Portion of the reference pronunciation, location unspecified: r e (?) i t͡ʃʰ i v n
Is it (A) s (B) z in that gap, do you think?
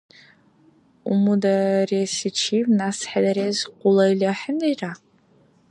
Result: A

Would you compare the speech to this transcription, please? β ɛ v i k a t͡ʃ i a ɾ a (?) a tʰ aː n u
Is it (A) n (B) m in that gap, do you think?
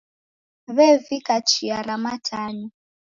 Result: B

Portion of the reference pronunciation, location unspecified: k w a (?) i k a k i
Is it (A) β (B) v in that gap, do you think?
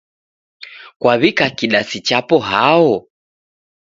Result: A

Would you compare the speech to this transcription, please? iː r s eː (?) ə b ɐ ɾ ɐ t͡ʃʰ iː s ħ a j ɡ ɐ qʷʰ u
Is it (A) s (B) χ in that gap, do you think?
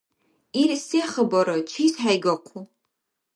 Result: B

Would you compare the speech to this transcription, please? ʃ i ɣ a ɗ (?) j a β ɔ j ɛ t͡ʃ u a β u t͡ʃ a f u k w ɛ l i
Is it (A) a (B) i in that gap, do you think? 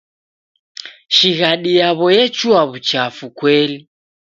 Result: B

